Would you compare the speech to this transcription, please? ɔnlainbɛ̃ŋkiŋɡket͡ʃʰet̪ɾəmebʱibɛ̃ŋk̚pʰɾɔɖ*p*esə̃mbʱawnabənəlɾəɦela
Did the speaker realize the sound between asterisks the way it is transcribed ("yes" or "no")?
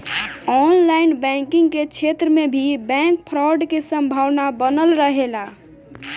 no